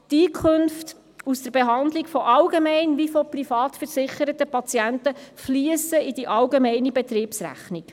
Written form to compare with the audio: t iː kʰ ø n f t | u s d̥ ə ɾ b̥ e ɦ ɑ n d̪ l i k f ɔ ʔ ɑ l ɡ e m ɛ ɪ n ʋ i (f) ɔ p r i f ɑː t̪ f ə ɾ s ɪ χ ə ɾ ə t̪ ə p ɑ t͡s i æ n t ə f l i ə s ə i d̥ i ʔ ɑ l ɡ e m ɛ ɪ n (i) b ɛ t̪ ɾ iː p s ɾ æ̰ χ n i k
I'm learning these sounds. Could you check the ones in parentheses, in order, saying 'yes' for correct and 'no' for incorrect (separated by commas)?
yes, yes